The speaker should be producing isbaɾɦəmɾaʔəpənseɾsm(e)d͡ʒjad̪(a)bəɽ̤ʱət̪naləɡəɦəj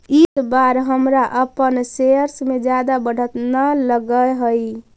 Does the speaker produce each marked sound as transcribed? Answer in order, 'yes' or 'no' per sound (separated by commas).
yes, yes